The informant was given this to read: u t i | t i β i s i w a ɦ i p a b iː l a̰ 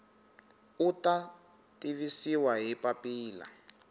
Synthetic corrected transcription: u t a | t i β i s i w a ɦ i p a p iː l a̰